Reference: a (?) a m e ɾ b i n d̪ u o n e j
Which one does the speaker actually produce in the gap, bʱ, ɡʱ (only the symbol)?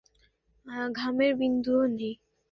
ɡʱ